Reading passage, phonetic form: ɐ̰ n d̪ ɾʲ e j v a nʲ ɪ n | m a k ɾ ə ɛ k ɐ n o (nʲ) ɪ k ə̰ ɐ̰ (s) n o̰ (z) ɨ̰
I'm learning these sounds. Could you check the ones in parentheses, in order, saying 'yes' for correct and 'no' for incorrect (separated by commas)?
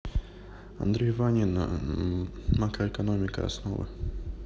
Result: no, yes, no